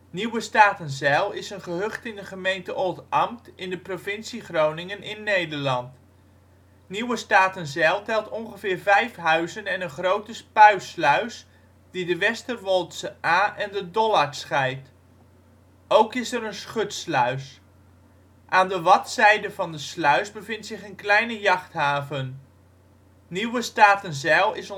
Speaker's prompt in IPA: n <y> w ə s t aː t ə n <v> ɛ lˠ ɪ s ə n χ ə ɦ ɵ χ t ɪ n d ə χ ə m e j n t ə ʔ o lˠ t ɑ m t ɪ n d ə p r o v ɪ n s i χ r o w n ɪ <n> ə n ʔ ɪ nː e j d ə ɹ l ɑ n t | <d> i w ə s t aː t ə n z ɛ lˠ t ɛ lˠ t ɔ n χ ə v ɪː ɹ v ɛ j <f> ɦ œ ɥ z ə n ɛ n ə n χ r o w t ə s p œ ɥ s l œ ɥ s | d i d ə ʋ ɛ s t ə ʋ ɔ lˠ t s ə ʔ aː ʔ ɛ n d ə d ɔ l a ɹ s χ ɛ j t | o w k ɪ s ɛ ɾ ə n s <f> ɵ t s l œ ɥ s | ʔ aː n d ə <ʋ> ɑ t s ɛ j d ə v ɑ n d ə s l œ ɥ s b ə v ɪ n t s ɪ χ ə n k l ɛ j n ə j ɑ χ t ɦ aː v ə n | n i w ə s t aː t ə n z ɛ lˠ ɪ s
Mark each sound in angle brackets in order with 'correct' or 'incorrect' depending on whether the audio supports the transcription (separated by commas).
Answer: incorrect, incorrect, incorrect, incorrect, correct, incorrect, correct